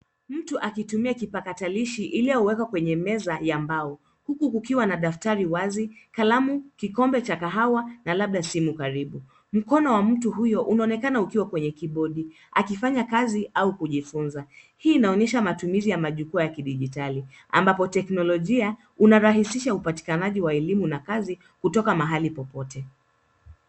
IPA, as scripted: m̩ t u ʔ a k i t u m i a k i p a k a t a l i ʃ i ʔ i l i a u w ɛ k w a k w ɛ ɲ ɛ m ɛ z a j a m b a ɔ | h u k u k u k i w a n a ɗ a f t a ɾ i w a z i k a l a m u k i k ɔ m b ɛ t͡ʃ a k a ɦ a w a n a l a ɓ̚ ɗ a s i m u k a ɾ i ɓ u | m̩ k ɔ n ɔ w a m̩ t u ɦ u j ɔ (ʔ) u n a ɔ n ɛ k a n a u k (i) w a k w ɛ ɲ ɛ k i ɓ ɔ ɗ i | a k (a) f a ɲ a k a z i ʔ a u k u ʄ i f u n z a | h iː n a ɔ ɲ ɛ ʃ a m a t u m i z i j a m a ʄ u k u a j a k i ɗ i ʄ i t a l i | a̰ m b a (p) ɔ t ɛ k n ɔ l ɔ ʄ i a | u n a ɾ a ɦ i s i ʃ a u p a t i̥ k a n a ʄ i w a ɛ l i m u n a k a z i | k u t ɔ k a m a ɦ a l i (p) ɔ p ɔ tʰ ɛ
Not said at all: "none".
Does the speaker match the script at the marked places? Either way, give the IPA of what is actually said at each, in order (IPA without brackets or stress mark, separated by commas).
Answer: ʔ, i, i, p, p